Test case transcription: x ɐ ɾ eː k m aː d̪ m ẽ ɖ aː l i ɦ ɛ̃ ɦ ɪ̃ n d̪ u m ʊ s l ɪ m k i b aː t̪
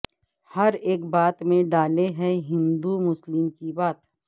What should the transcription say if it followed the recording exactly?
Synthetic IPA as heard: h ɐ ɾ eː k b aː t̪ m ẽ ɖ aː l e ɦ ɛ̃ ɦ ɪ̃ n d̪ u m ʊ s l ɪ m k i b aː t̪